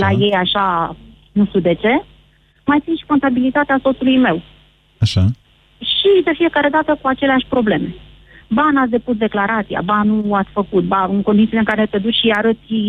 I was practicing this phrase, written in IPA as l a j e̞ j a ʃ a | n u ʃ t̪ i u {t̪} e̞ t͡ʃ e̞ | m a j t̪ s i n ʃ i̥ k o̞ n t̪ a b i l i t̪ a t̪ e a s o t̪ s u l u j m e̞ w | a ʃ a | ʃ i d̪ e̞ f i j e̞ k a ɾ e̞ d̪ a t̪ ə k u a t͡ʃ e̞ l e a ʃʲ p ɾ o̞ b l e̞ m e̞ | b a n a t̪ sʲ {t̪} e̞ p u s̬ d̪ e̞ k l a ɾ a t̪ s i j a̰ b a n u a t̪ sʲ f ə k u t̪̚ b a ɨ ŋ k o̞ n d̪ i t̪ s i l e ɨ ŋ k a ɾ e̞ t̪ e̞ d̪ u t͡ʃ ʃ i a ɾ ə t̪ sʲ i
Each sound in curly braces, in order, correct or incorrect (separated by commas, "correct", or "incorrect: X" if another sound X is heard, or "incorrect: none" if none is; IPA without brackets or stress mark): incorrect: d̪, incorrect: d̪